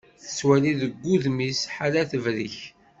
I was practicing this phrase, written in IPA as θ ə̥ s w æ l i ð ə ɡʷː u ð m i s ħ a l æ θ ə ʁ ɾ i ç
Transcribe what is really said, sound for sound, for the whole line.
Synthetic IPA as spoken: θ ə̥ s w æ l i ð ə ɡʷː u ð m i s ħ a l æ θ ə v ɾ i ç

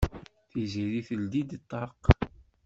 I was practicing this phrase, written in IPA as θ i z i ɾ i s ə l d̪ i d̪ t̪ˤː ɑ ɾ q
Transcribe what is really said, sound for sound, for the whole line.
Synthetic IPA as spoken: θ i z i ɾ i θ ə l d̪ i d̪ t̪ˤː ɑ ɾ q

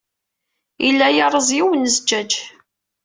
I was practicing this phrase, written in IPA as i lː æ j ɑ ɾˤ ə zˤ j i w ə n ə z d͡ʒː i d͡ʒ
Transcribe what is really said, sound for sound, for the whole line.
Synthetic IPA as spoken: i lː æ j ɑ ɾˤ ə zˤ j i w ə n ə z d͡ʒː æ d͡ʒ

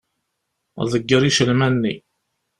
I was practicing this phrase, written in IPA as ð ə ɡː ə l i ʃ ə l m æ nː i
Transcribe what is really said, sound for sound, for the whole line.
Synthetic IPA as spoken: ð ə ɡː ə ɾ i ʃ ə l m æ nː i

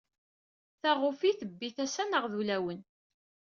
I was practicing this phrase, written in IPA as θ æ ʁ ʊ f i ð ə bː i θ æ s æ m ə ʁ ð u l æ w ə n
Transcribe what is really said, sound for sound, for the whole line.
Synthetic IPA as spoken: θ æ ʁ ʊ f i θ ə bː i θ æ s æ n ə ʁ ð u l æ w ə n

